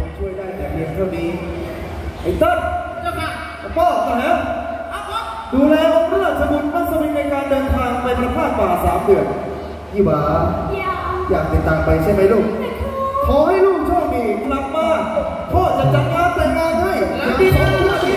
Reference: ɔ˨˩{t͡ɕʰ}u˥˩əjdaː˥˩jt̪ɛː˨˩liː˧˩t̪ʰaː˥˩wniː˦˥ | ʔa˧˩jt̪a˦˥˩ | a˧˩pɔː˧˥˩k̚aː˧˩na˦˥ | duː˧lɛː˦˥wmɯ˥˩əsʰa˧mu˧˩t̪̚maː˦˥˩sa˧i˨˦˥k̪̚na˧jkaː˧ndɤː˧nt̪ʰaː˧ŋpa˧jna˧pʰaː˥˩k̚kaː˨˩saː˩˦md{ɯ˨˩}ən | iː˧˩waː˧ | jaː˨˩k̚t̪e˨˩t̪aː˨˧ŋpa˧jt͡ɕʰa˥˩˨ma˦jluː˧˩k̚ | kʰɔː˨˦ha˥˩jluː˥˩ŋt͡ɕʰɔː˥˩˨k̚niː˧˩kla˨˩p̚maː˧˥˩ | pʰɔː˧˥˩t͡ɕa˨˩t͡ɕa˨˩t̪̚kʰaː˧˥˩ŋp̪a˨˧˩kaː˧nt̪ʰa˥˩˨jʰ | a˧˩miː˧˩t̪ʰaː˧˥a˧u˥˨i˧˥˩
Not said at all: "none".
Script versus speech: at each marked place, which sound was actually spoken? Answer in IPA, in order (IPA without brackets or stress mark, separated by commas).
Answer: t͡ɕʰ, ɯ˨˩